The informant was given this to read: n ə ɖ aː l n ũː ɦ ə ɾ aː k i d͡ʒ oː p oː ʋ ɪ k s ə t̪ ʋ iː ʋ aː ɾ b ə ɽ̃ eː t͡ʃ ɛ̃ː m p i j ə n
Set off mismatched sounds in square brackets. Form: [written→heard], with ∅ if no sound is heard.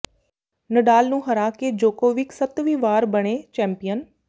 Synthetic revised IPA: n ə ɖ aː l n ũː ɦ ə ɾ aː k [i→e] d͡ʒ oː [p→k] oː ʋ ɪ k s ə t̪ ʋ iː ʋ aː ɾ b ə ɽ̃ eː t͡ʃ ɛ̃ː m p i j ə n

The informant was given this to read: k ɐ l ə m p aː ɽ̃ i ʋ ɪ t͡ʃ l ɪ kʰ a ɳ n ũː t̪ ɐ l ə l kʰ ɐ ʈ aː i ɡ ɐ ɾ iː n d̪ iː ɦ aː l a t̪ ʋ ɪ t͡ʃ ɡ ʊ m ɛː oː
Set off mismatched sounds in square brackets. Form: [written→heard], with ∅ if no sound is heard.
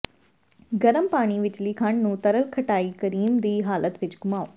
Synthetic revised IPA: [k→ɡ] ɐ [l→ɾ] ə m p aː ɽ̃ i ʋ ɪ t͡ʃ l [ɪ→i] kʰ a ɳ n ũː t̪ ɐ [l→ɾ] ə l kʰ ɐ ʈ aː i [ɡ→k] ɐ ɾ iː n d̪ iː ɦ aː l [a→ə] t̪ ʋ ɪ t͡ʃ ɡ ʊ m [ɛː→aː] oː

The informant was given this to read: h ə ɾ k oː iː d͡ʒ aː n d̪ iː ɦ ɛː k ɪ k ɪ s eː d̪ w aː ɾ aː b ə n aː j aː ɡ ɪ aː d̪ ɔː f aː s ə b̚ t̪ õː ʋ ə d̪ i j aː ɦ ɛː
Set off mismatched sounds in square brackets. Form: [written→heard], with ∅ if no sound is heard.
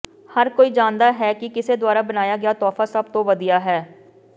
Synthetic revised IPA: h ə ɾ k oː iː d͡ʒ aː n d̪ [iː→aː] ɦ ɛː k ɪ k ɪ s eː d̪ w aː ɾ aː b ə n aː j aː ɡ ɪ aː [d̪→t̪] ɔː f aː s ə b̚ t̪ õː ʋ ə d̪ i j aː ɦ ɛː

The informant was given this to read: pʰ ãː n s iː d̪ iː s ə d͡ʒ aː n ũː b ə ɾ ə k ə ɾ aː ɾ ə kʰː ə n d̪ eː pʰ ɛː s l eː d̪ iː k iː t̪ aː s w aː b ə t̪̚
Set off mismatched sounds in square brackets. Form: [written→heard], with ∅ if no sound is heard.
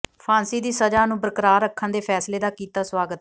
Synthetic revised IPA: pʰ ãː n s iː d̪ iː s ə d͡ʒ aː n ũː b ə ɾ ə k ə ɾ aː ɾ ə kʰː ə n d̪ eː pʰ ɛː s l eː d̪ [iː→aː] k iː t̪ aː s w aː [b→ɡ] ə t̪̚

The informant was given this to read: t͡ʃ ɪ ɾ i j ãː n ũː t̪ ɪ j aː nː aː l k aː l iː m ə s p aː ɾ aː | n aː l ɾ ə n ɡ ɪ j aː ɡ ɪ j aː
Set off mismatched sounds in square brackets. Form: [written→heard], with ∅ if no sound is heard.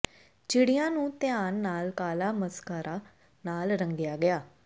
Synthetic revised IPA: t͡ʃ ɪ [ɾ→ɽ] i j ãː n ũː t̪ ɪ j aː nː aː l k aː l [iː→aː] m ə s [p→k] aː ɾ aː | n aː l ɾ ə [n→ŋ] ɡ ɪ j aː ɡ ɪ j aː

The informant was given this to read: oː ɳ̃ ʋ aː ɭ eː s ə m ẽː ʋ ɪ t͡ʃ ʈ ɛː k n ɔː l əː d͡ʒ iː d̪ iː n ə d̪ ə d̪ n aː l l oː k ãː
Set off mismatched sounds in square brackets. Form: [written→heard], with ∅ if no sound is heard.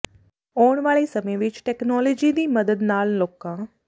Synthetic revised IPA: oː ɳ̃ ʋ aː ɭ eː s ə m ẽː ʋ ɪ t͡ʃ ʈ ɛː k n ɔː l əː d͡ʒ iː d̪ iː [n→m] ə d̪ ə d̪ n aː l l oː k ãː

